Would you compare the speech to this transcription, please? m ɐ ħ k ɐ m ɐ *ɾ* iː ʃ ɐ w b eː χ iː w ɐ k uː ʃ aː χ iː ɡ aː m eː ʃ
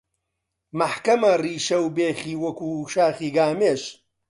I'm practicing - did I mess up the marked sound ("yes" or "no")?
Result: yes